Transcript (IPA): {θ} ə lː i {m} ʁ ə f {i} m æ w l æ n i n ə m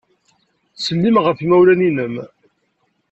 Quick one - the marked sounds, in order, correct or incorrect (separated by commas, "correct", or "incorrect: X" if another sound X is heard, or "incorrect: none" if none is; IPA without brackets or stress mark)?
incorrect: s, correct, correct